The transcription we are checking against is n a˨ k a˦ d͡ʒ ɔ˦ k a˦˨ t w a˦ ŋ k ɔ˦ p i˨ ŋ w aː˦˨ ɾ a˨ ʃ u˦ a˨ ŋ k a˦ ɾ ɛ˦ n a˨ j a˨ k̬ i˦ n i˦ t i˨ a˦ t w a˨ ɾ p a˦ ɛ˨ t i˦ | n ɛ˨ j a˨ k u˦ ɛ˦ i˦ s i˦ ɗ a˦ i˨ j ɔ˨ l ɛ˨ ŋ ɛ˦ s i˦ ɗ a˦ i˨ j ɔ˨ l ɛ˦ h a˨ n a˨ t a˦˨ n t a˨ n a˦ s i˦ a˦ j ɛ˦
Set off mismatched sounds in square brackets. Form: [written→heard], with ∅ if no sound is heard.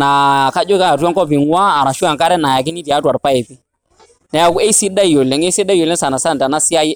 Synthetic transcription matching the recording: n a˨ k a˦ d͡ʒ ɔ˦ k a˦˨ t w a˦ ŋ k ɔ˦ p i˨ ŋ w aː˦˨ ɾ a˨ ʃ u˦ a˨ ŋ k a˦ ɾ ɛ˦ n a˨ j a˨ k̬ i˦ n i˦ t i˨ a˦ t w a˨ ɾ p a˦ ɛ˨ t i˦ | n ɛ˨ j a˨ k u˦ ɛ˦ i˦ s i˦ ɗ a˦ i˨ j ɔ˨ l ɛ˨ ŋ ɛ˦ s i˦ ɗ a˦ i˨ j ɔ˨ l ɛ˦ [h→s] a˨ n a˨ [t→s] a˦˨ n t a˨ n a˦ s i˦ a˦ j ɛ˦